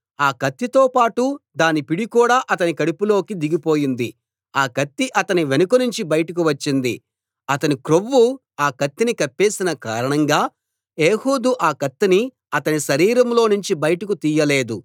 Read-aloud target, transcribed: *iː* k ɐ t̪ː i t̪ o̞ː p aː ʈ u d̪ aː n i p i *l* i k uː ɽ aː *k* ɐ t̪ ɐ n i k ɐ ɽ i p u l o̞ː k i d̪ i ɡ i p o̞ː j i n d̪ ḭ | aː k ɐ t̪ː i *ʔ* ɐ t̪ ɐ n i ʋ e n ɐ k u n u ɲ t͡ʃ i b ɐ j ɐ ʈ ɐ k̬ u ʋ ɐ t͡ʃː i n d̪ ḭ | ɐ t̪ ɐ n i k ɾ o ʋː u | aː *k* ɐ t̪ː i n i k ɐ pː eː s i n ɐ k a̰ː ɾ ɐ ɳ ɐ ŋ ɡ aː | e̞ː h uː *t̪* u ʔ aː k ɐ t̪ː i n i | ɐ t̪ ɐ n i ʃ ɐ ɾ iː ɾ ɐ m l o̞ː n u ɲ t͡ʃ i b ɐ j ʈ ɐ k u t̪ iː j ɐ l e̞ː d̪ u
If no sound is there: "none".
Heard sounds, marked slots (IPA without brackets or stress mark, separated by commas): aː, ɽ, ʔ, ʔ, k, d̪